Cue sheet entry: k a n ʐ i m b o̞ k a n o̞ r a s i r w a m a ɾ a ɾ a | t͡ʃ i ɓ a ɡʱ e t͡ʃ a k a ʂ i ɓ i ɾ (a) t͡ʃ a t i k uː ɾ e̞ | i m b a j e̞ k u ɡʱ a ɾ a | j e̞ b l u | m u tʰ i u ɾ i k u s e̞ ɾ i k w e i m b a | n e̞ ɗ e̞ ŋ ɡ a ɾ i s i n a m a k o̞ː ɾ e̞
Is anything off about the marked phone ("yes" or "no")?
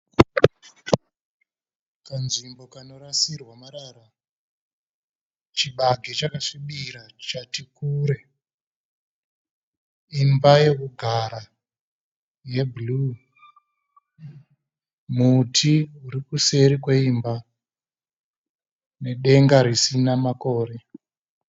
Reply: no